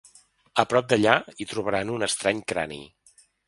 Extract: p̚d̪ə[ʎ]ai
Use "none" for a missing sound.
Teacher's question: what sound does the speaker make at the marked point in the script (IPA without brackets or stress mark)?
ʎ